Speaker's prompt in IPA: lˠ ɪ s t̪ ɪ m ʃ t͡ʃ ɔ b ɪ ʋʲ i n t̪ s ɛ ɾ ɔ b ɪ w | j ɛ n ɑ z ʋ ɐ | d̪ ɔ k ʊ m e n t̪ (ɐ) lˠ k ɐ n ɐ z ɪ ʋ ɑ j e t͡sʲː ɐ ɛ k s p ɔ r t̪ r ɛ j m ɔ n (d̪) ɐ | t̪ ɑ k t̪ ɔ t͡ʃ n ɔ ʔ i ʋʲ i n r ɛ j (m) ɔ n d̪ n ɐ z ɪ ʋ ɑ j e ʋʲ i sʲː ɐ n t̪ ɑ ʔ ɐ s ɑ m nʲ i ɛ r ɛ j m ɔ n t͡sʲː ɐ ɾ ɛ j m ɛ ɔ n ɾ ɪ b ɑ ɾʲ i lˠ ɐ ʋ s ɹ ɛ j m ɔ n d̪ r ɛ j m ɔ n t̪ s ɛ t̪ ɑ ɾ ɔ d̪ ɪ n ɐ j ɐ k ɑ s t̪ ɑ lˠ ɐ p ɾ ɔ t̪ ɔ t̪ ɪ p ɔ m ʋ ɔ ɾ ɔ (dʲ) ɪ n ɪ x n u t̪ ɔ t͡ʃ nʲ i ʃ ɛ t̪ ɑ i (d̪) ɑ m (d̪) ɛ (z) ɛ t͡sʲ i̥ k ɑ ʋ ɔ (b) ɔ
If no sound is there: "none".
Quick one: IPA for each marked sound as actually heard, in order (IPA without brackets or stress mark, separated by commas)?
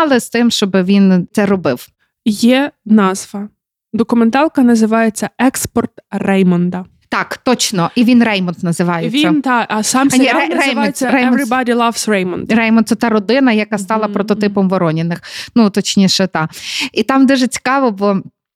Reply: ɑ, d̪, m, nʲ, t̪, d̪, ʒ, b